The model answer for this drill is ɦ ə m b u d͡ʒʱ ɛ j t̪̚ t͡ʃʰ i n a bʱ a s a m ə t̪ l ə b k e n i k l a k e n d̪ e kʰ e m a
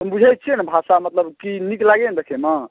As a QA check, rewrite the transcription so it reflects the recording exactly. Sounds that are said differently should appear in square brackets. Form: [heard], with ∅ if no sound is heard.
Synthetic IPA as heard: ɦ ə m b u d͡ʒʱ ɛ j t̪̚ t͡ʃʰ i n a bʱ a s a m ə t̪ l ə b k [i] n i k l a [ɡ] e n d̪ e kʰ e m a